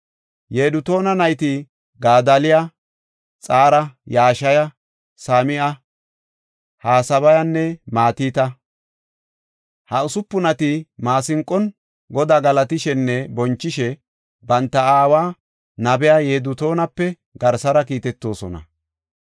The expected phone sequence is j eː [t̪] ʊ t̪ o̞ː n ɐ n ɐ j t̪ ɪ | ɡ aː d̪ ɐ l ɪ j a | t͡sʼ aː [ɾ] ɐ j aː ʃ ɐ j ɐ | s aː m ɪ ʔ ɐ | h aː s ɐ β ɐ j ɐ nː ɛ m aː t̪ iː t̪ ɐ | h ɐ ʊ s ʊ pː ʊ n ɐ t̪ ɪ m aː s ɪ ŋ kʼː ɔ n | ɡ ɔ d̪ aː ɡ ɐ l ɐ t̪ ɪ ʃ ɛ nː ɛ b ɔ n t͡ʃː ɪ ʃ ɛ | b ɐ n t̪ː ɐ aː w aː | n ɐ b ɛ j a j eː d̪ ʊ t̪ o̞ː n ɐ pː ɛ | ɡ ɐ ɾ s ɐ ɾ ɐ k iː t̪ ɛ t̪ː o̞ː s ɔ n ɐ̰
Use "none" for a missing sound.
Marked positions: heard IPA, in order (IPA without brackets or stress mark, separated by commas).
d̪, ɾ